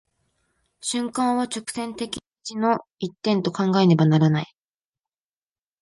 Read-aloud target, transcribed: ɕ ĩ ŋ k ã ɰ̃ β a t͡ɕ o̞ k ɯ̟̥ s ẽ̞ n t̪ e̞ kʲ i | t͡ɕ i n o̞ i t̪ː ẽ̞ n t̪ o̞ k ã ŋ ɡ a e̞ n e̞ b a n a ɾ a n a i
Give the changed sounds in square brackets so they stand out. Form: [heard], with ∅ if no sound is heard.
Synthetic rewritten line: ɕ [ɨ̃] ŋ k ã ɰ̃ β a t͡ɕ o̞ k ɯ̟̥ s ẽ̞ n t̪ e̞ kʲ i | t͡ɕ i n o̞ i t̪ː ẽ̞ n t̪ o̞ k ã ŋ ɡ a e̞ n e̞ b a n a ɾ a n a i

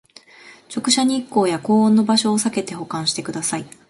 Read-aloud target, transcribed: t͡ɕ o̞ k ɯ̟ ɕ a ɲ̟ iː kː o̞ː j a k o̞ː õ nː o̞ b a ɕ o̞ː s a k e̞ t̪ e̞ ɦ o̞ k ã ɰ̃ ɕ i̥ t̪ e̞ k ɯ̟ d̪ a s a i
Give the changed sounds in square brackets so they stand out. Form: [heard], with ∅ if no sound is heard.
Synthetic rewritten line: t͡ɕ o̞ k ɯ̟ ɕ a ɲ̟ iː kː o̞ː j a k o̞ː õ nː o̞ b a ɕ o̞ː s a k e̞ t̪ e̞ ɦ o̞ k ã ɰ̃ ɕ i̥ t̪ e̞ k ɯ̟ d̪ a s a i

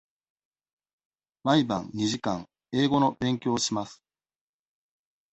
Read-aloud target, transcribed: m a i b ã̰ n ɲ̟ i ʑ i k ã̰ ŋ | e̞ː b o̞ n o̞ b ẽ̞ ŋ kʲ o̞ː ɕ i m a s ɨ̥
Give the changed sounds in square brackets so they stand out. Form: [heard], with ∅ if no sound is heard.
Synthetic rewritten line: m a i b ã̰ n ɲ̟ i ʑ i k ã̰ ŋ | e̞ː [ɡ] o̞ n o̞ b ẽ̞ ŋ kʲ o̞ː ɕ i m a s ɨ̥

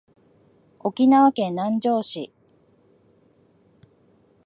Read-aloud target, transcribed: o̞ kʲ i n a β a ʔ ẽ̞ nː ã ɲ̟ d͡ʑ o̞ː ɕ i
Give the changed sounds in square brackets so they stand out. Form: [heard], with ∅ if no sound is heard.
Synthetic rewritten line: o̞ kʲ i n a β a [k] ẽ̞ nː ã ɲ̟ d͡ʑ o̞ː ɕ i

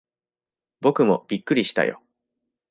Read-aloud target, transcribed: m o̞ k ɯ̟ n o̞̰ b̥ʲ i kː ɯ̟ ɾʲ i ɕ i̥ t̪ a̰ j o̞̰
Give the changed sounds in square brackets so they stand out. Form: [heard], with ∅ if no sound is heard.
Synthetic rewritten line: [b] o̞ k ɯ̟ [m] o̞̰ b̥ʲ i kː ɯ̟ ɾʲ i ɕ i̥ t̪ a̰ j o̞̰

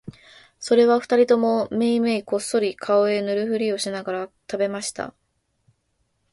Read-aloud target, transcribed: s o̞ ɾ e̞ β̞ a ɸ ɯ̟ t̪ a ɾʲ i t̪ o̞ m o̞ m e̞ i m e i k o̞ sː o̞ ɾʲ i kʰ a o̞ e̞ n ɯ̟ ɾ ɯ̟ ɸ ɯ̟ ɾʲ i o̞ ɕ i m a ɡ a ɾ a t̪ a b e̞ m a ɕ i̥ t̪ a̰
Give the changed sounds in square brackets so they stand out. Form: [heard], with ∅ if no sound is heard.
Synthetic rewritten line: s o̞ ɾ e̞ β̞ a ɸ ɯ̟ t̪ a ɾʲ i t̪ o̞ m o̞ m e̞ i m e i k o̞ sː o̞ ɾʲ i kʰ a o̞ e̞ n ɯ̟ ɾ ɯ̟ ɸ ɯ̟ ɾʲ i o̞ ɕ i [n] a ɡ a ɾ a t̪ a b e̞ m a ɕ i̥ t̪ a̰

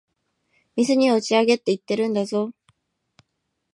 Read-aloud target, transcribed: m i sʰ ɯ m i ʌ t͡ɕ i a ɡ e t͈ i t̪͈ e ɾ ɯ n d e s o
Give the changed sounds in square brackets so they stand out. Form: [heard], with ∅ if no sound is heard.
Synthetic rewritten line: m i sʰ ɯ [ɲ] i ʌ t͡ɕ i a ɡ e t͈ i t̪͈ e ɾ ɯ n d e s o

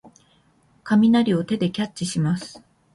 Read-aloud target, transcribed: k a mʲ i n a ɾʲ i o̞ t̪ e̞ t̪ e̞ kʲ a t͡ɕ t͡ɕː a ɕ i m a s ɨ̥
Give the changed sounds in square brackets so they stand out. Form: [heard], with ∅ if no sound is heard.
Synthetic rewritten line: k a mʲ i n a ɾʲ i o̞ t̪ e̞ [d̪] e̞ kʲ a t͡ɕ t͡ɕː [i] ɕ i m a s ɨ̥

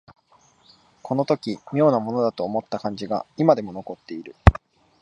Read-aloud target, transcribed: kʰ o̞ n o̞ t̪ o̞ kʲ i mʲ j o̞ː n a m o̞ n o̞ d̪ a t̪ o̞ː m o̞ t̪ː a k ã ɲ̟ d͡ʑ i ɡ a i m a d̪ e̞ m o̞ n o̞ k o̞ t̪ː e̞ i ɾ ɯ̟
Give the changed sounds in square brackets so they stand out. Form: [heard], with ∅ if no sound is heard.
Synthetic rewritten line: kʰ o̞ n o̞ t̪ o̞ kʲ i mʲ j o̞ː n a m o̞ n o̞ d̪ a t̪ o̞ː m o̞ t̪ː a k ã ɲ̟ d͡ʑ i ɡ a i m a d̪ e̞ m o̞ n o̞ k o̞ t̪ː e̞ i ɾ ɯ̟

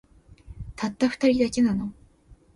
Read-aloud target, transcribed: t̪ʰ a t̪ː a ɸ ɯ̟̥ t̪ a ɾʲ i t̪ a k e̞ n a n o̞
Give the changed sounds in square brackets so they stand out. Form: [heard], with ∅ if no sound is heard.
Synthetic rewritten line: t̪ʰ a t̪ː a ɸ ɯ̟̥ t̪ a ɾʲ i [d̪] a k e̞ n a n o̞

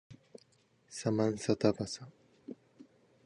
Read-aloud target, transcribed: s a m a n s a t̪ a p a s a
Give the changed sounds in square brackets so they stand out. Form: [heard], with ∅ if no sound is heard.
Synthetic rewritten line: s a m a n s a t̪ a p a s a

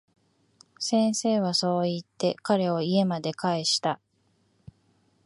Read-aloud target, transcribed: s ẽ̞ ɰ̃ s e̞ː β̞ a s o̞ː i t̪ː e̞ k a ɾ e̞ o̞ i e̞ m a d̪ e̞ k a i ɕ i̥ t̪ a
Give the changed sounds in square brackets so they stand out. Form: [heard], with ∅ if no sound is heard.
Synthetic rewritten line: s ẽ̞ ɰ̃ s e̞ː β̞ a s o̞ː i t̪ː e̞ k a ɾ e̞ o̞ i e̞ m a d̪ e̞ k a [e] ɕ i̥ t̪ a

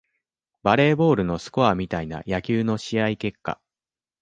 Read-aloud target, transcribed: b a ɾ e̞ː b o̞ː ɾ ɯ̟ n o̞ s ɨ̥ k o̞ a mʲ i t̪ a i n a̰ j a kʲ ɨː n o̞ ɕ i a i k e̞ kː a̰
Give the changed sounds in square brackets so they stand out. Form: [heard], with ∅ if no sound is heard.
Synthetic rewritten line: b a ɾ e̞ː b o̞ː ɾ ɯ̟ n o̞ s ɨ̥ k o̞ a mʲ i t̪ a i n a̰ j a kʲ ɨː n o̞ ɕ i a i k e̞ kː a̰

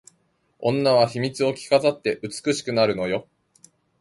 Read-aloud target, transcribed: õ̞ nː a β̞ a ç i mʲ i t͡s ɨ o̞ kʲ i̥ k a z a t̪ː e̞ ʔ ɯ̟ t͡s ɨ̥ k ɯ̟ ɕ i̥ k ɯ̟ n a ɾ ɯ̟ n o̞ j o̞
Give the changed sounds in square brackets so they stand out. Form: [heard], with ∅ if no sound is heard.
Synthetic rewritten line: õ̞ nː a β̞ a ç i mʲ i t͡s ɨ o̞ kʲ i̥ k a z a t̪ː e̞ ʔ ɯ̟ t͡s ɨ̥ k ɯ̟ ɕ i̥ k ɯ̟ n a ɾ ɯ̟ n o̞ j o̞

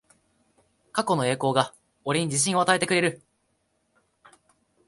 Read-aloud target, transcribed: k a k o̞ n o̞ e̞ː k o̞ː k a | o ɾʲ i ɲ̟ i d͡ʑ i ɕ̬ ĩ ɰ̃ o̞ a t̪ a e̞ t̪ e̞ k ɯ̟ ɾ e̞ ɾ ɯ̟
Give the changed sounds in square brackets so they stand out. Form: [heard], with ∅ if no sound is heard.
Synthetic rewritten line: k a k o̞ n o̞ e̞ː k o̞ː [ɡ] a | o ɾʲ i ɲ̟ i d͡ʑ i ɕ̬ ĩ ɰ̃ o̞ a t̪ a e̞ t̪ e̞ k ɯ̟ ɾ e̞ ɾ ɯ̟

